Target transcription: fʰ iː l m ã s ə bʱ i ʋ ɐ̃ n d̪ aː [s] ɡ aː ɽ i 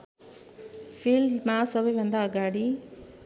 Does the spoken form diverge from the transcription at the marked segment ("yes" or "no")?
yes